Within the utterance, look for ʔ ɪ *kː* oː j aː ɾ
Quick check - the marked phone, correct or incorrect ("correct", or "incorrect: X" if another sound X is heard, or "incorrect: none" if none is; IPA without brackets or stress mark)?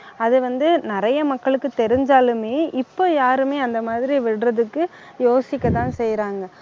incorrect: pː